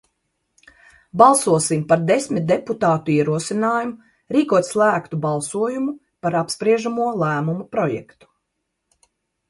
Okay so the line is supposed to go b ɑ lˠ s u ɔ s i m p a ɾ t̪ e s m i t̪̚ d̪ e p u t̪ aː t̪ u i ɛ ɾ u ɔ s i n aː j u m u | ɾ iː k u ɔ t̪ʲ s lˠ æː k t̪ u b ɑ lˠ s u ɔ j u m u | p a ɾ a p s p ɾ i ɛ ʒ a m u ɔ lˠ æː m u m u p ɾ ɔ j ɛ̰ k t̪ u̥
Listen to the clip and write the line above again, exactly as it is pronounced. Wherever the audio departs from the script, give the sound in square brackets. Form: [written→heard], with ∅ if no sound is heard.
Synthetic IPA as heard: b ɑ lˠ s u ɔ s i m p a ɾ [t̪→d̪] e s m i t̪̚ d̪ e p u t̪ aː t̪ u i ɛ ɾ u ɔ s i n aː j u m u | ɾ iː k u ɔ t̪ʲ s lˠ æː k t̪ u b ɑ lˠ s u ɔ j u m u | p a ɾ a p s p ɾ i ɛ ʒ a m u ɔ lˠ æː m u m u p ɾ ɔ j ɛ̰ k t̪ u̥